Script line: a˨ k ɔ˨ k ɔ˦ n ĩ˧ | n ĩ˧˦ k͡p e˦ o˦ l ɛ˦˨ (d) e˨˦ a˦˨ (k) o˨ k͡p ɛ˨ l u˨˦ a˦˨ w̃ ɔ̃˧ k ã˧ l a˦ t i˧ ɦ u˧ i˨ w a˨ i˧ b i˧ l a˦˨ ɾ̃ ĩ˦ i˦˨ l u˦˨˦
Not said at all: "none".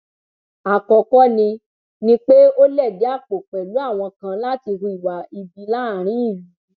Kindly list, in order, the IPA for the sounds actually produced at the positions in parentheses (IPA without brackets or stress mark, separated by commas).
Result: d, k͡p